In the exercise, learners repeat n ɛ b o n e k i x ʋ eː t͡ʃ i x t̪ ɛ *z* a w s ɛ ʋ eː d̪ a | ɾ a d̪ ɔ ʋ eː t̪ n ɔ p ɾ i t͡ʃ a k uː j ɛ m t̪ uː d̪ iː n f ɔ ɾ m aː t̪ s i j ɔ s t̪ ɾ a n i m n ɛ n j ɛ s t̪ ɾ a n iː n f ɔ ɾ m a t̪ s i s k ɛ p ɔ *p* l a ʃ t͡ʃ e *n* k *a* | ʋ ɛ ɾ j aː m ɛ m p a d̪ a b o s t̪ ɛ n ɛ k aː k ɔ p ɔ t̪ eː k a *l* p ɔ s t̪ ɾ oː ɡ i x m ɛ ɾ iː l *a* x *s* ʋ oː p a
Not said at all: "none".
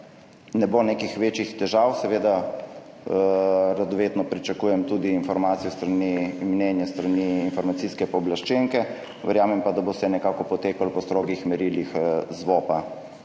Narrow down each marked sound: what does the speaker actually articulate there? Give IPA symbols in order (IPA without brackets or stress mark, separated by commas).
ʒ, b, ŋ, ɛ, l, i, z